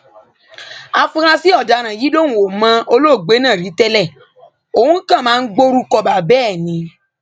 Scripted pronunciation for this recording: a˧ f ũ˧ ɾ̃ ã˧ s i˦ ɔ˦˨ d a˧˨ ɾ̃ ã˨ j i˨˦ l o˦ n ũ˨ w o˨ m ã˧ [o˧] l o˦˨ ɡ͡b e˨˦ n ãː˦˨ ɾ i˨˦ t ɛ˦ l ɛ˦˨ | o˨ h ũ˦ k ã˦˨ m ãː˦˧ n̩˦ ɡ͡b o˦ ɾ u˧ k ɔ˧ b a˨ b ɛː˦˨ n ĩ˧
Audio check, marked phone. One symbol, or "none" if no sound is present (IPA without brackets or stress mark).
o˧